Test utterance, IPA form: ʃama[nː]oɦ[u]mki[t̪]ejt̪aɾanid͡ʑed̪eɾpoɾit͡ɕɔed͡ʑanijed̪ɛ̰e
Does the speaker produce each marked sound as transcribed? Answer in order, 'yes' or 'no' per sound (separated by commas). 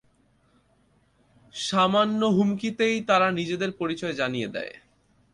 yes, yes, yes